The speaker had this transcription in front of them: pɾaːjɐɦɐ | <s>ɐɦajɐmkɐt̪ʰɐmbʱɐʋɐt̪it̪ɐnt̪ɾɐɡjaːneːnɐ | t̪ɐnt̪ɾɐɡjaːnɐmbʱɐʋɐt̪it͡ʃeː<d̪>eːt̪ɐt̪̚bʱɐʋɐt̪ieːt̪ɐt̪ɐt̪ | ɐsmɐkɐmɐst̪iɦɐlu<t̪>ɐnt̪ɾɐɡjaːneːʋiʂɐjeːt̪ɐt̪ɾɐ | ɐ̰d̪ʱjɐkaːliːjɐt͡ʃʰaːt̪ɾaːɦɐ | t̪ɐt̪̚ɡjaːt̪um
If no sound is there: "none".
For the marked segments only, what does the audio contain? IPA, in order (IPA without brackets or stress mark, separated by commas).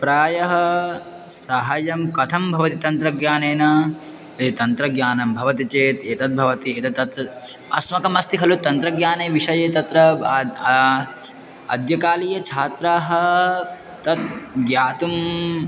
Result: s, t̪, t̪